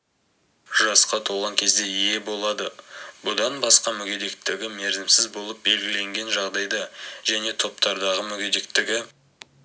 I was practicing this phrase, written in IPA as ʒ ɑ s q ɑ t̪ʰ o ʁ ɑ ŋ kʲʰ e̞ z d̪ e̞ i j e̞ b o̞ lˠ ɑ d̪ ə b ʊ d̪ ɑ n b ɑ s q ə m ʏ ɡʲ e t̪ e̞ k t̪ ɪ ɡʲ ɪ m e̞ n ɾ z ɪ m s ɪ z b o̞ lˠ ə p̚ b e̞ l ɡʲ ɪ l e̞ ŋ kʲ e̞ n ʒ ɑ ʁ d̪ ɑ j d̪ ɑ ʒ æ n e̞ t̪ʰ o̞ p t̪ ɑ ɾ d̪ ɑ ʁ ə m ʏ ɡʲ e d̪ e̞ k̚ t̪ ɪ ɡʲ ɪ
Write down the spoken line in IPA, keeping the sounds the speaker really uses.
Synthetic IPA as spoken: ʒ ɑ s q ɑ t̪ʰ o ʁ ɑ ŋ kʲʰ e̞ z d̪ e̞ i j e̞ b o̞ lˠ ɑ d̪ ə b ʊ d̪ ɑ n b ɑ s q ɑ m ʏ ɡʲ e d̪ e̞ k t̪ ɪ ɡʲ ɪ m e̞ ɾ z ɪ m s ɪ z b o̞ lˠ ə p̚ b e̞ l ɡʲ ɪ l e̞ ŋ ɡʲ e̞ n ʒ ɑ ʁ d̪ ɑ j d̪ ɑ ʒ æ n e̞ t̪ʰ o̞ p t̪ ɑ ɾ d̪ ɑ ʁ ə m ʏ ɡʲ e d̪ e̞ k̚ t̪ ɪ ɡʲ ɪ